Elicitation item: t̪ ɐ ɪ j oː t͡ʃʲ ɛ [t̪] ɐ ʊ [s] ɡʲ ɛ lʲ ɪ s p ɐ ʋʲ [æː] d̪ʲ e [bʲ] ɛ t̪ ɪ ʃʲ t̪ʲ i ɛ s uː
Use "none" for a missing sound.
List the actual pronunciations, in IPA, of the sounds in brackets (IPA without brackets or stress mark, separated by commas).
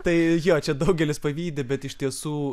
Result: d̪, none, iː, bʲ